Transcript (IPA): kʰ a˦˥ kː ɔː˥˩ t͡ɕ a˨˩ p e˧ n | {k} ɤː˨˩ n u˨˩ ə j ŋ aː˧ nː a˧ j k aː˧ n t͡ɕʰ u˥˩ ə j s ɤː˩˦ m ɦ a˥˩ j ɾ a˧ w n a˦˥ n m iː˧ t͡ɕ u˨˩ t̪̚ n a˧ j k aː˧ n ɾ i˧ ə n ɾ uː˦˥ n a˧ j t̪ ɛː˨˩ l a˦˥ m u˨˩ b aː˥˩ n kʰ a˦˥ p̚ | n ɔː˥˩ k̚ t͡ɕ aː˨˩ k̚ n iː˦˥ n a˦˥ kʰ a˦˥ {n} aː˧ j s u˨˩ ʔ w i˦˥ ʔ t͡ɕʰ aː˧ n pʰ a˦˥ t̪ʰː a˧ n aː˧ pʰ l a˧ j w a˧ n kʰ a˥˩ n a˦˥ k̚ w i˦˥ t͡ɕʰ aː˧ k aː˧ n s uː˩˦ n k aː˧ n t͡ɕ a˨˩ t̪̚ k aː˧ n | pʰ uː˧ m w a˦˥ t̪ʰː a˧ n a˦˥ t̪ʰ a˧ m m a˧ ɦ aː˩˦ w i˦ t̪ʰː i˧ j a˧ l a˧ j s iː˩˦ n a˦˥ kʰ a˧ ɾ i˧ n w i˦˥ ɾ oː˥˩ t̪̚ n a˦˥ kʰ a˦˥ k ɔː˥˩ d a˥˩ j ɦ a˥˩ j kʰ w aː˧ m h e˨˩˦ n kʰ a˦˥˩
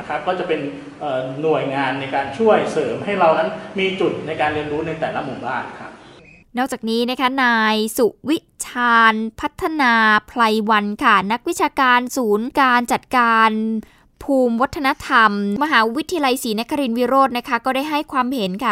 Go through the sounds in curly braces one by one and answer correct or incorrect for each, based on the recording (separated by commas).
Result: incorrect, correct